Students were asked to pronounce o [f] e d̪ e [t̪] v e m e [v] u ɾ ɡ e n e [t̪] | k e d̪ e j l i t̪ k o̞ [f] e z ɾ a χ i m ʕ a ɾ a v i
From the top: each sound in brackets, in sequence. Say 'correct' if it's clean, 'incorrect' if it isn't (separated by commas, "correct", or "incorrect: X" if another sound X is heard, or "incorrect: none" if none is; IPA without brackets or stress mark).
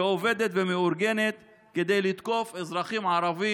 incorrect: v, correct, incorrect: none, correct, correct